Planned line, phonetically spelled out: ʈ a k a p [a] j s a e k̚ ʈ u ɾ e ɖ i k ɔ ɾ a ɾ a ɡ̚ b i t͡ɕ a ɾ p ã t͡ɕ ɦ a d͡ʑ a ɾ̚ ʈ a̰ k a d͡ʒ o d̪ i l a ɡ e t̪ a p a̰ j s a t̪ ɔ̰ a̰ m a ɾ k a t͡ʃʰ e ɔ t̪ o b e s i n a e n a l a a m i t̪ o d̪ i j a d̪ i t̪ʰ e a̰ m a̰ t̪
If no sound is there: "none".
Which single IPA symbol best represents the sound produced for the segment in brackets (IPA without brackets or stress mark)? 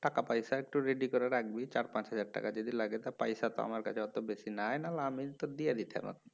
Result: a